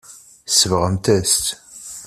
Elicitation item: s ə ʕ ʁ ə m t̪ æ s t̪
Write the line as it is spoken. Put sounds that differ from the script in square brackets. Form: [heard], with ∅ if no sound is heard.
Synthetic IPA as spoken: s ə [v] ʁ ə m t̪ æ s t̪